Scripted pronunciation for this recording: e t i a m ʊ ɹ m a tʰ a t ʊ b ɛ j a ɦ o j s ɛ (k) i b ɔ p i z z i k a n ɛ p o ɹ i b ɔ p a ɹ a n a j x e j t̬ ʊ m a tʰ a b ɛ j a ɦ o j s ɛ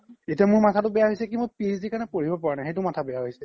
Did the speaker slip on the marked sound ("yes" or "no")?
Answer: no